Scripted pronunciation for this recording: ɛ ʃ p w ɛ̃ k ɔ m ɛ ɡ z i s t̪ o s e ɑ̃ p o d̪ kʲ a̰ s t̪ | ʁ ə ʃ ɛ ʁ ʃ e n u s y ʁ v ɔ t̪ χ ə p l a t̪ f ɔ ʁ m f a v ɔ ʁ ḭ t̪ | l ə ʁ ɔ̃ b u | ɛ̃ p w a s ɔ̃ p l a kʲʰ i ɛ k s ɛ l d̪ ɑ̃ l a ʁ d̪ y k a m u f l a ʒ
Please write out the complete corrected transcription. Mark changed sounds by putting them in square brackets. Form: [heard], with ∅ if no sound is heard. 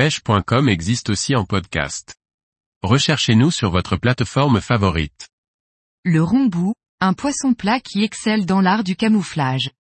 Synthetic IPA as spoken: ɛ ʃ p w ɛ̃ k ɔ m ɛ ɡ z i s t̪ o s [i] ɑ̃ p [ɔ] d̪ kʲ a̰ s t̪ | ʁ ə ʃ ɛ ʁ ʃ e n u s y ʁ v ɔ t̪ χ ə p l a t̪ f ɔ ʁ m f a v ɔ ʁ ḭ t̪ | l ə ʁ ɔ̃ b u | ɛ̃ p w a s ɔ̃ p l a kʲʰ i ɛ k s ɛ l d̪ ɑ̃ l a ʁ d̪ y k a m u f l a ʒ